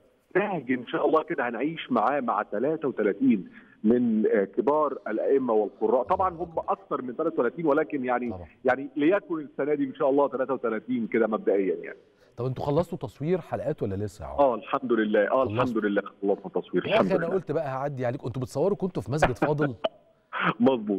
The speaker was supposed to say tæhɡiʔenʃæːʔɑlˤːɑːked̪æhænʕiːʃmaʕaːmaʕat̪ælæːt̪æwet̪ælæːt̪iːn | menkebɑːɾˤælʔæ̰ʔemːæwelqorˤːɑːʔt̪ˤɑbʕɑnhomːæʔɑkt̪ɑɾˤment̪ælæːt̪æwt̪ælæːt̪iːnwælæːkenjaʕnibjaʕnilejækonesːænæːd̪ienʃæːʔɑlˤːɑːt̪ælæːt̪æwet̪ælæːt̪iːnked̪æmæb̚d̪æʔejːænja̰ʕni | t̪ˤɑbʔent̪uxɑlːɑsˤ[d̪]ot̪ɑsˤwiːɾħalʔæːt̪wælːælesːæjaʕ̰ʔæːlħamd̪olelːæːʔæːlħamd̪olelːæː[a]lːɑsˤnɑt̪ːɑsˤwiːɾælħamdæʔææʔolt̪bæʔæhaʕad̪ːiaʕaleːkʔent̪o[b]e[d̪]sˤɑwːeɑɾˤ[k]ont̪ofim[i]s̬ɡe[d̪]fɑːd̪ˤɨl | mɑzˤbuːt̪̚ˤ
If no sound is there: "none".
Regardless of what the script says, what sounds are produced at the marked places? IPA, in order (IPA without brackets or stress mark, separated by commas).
t̪, ɑ, b, t̪, k, æ, d̪